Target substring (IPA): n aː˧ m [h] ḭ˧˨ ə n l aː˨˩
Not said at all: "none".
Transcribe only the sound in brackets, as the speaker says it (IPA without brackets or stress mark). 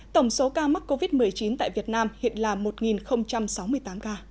h